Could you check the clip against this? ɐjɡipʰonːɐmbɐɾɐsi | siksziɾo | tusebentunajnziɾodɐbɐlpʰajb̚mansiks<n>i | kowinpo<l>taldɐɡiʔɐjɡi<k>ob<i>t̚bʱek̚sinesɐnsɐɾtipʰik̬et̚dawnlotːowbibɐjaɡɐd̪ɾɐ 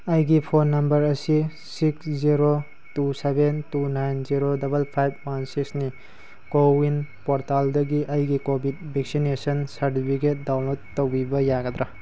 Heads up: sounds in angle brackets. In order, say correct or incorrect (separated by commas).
correct, incorrect, correct, correct